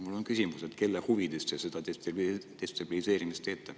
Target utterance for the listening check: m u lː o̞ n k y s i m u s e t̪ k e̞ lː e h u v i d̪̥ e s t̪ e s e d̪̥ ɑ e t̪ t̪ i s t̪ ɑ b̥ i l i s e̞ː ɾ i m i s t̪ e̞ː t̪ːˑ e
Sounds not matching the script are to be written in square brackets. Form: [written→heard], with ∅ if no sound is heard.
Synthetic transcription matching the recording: m u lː o̞ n k y s i m u s e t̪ k e̞ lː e h u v i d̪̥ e s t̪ e s e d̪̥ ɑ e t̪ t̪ [i→e] s t̪ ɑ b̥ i l i s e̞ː ɾ i m i s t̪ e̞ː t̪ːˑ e

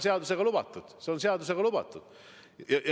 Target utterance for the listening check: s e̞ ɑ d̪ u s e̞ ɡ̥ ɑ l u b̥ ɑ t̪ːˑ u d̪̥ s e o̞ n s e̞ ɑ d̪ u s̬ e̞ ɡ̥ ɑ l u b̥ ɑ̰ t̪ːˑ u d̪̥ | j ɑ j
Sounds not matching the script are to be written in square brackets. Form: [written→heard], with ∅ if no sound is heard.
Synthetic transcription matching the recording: s e̞ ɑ d̪ u s e̞ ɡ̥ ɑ l u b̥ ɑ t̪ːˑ u d̪̥ s e o̞ n s e̞ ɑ d̪ u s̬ e̞ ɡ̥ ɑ l u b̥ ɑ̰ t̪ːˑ u d̪̥ | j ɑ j

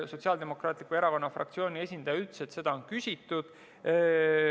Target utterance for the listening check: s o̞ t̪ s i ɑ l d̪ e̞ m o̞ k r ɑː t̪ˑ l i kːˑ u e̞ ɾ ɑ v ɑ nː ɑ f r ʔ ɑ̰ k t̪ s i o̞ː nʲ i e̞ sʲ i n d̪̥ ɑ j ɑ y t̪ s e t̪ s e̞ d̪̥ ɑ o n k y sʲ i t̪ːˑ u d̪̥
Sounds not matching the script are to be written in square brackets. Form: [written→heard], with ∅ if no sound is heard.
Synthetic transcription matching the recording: s o̞ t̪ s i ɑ l d̪ e̞ m o̞ k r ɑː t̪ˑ l i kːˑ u e̞ ɾ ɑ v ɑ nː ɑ f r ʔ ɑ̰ k t̪ s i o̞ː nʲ i e̞ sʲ i n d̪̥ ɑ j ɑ y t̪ s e t̪ s e̞ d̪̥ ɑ o n k y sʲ i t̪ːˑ u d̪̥

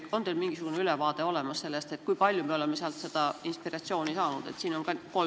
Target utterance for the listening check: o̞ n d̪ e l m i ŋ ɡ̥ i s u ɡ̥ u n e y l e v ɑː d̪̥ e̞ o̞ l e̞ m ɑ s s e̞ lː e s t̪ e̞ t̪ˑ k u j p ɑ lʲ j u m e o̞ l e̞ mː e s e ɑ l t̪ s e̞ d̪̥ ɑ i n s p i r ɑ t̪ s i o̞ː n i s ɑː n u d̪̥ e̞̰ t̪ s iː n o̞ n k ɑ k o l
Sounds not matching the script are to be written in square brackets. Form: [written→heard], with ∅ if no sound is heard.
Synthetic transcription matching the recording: o̞ n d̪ e l m i ŋ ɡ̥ i s u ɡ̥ u n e y l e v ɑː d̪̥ e̞ o̞ l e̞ m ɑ s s e̞ lː e s t̪ e̞ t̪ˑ k u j p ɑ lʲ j u m e o̞ l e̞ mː e s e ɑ l t̪ s e̞ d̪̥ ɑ i n s p i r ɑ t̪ s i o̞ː n i s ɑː n u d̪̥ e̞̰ t̪ s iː n o̞ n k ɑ k o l

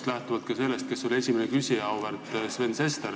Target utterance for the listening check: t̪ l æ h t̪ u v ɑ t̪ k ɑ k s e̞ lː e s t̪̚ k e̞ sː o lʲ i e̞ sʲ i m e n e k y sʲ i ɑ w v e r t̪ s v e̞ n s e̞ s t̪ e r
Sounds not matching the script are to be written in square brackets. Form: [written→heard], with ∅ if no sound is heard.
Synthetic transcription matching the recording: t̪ l æ h t̪ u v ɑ t̪ k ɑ [k→∅] s e̞ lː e s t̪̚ k e̞ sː o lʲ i e̞ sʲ i m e n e k y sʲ i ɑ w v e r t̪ s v e̞ n s e̞ s t̪ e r

